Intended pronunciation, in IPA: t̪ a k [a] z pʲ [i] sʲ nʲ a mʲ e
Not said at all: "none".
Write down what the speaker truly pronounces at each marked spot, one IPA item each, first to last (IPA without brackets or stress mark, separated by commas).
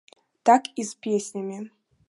i, e